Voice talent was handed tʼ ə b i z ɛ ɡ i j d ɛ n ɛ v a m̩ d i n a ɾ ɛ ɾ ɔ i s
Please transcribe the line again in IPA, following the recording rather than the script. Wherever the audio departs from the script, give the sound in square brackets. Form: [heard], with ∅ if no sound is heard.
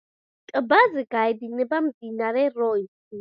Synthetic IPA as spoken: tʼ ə b [a] z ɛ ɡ [a] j d [i] n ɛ [b] a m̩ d i n a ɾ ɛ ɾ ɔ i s